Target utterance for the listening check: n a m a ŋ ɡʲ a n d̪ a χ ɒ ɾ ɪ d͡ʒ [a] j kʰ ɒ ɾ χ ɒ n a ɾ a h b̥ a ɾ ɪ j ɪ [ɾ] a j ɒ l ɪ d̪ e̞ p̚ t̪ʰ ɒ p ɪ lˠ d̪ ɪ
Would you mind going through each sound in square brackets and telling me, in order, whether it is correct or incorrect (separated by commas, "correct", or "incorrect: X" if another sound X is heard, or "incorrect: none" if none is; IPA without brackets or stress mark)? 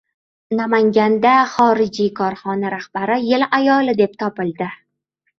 incorrect: i, incorrect: l